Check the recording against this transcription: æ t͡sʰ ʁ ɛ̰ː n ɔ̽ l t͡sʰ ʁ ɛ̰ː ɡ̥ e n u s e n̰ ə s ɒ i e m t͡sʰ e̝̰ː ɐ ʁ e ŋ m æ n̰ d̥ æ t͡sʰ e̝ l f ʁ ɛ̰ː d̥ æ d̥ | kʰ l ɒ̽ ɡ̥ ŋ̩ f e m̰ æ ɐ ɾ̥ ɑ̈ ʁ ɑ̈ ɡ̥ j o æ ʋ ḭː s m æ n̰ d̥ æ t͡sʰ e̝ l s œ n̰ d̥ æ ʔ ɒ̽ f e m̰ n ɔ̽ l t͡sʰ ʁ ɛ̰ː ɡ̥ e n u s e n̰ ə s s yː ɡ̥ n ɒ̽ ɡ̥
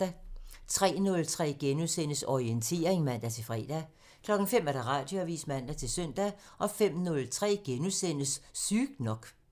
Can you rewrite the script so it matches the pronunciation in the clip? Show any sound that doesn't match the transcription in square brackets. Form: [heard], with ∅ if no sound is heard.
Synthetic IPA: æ t͡sʰ ʁ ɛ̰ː n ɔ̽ l t͡sʰ ʁ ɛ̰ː ɡ̥ e n u s e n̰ ə s ɒ i e [n] t͡sʰ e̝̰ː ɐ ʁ e ŋ m æ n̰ d̥ æ t͡sʰ e̝ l f ʁ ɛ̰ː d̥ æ [∅] | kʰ l ɒ̽ ɡ̥ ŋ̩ f e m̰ æ ɐ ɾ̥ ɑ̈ ʁ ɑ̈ [d̥] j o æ ʋ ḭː s m æ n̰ d̥ æ t͡sʰ e̝ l s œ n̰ d̥ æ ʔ ɒ̽ f e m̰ n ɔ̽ l t͡sʰ ʁ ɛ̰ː ɡ̥ e n u s e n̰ ə s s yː ɡ̥ n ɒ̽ ɡ̥

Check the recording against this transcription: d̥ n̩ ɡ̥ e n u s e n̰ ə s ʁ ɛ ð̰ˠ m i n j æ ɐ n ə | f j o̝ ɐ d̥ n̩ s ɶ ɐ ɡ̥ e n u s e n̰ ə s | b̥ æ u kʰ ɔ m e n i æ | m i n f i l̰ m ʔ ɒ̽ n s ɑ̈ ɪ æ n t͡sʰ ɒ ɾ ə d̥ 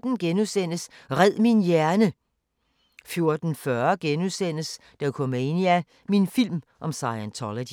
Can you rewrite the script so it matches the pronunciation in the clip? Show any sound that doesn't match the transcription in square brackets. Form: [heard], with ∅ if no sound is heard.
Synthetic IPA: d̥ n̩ ɡ̥ e n u s e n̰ ə s ʁ ɛ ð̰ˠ m i n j æ ɐ n ə | f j o̝ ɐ d̥ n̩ [f] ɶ ɐ ɡ̥ e n u s e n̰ ə s | [d̥] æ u kʰ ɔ m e n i æ | m i n f i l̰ m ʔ ɒ̽ [m] s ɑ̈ ɪ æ n t͡sʰ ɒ [l] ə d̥

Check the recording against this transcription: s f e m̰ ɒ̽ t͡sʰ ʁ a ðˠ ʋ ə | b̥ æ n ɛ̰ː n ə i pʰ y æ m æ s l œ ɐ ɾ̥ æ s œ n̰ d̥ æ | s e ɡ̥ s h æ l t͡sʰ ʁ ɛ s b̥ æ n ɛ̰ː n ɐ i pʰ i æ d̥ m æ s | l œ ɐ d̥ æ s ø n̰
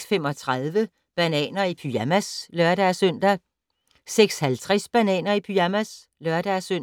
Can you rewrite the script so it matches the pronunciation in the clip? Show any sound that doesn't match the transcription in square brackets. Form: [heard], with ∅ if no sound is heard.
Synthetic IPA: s f e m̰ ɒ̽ t͡sʰ ʁ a ðˠ ʋ ə | b̥ æ n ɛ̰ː n [ɐ] i pʰ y æ m æ s l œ ɐ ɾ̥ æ s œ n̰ d̥ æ | s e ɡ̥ s h æ l t͡sʰ ʁ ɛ s b̥ æ n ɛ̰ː n ɐ i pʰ [y] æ [∅] m æ s | l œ ɐ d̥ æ s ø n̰

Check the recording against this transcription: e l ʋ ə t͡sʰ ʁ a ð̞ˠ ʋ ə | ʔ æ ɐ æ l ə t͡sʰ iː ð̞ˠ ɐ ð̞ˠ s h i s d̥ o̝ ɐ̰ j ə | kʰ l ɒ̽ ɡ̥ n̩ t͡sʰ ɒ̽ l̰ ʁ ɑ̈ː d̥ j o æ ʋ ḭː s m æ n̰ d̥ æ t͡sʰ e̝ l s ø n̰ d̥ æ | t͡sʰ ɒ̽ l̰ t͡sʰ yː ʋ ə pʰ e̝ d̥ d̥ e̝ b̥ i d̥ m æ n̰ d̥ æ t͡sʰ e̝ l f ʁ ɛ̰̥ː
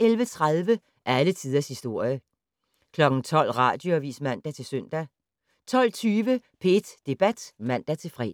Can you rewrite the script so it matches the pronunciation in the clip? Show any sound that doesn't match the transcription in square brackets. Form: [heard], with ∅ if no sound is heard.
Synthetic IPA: e l ʋ ə t͡sʰ ʁ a ð̞ˠ ʋ ə | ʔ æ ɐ æ l ə t͡sʰ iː ð̞ˠ ɐ [∅] s h i s d̥ o̝ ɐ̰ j ə | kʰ l ɒ̽ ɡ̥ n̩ t͡sʰ ɒ̽ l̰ ʁ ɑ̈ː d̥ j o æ ʋ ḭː s m æ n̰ d̥ æ t͡sʰ e̝ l s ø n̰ d̥ æ | t͡sʰ ɒ̽ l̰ t͡sʰ yː ʋ ə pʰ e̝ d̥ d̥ e̝ b̥ [æ] d̥ m æ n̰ d̥ æ t͡sʰ e̝ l f ʁ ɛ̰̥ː

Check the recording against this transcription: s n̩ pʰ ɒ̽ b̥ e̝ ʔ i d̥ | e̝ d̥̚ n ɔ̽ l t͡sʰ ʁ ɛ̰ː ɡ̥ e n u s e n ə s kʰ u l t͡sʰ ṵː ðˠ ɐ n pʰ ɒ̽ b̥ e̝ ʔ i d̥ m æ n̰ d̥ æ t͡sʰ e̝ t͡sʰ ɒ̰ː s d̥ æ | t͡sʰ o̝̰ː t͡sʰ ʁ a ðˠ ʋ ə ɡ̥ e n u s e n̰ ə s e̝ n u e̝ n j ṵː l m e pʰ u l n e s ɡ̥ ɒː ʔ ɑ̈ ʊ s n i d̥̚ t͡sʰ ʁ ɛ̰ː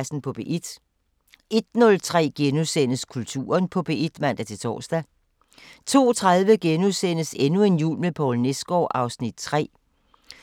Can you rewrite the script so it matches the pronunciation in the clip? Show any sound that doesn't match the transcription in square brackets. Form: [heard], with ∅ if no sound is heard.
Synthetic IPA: s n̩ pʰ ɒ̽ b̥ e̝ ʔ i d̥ | e̝ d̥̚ n ɔ̽ l t͡sʰ ʁ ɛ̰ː ɡ̥ e n u s e n ə s kʰ u l t͡sʰ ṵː [∅] ɐ n pʰ ɒ̽ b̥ e̝ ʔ i d̥ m æ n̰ d̥ æ t͡sʰ e̝ t͡sʰ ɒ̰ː s d̥ æ | t͡sʰ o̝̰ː t͡sʰ ʁ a ðˠ ʋ ə ɡ̥ e n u s e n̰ ə s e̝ n u e̝ n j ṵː l m e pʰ [ɒ] l n e s ɡ̥ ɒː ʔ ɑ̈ ʊ s n i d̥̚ t͡sʰ ʁ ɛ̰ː

